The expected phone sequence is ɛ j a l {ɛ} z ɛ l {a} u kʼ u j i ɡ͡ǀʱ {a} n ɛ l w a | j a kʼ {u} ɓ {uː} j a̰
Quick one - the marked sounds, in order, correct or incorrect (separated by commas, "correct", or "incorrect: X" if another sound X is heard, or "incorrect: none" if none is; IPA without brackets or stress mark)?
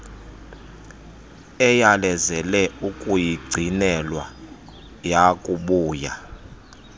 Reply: correct, incorrect: ɛ, incorrect: i, correct, correct